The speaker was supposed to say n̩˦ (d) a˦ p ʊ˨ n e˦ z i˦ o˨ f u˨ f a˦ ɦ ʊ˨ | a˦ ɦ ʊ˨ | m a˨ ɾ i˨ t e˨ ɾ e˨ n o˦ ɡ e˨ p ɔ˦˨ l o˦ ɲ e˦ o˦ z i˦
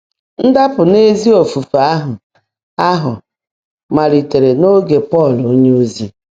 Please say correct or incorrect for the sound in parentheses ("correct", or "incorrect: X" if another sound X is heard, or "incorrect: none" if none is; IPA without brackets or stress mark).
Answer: correct